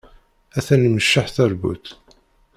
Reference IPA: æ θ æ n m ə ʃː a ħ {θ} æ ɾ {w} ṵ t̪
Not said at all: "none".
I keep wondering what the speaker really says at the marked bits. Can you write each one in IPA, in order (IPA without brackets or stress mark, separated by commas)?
θ, b